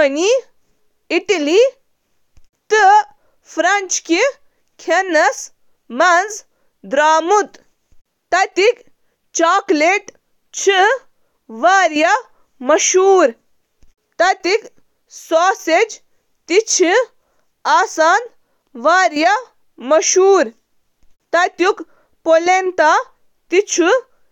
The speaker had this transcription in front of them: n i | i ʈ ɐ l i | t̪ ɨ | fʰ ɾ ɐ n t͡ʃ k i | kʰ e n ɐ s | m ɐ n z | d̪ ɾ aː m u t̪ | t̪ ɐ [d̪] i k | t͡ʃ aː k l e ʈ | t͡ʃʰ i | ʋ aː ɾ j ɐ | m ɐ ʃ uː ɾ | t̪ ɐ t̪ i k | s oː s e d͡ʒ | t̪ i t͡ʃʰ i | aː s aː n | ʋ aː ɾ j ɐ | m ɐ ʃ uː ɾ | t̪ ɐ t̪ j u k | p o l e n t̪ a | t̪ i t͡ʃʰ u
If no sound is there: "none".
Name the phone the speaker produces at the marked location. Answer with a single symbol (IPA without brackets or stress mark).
t̪